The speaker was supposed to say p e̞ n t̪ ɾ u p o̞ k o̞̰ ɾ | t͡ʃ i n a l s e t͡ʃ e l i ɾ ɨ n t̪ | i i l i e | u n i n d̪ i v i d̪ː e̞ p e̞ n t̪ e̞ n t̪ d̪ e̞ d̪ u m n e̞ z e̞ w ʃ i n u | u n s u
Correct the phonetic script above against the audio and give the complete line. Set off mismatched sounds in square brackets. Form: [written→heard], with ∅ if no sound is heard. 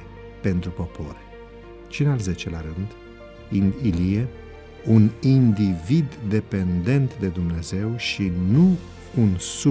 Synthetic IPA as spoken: p e̞ n t̪ ɾ u p o̞ [k→p] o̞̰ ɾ | t͡ʃ i n a l [s→z] e t͡ʃ e l [i→a] ɾ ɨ n [t̪→d̪] | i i l i e | u n i n d̪ i v i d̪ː e̞ p e̞ n [t̪→d̪] e̞ n t̪ d̪ e̞ d̪ u m n e̞ z e̞ w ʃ i n u | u n s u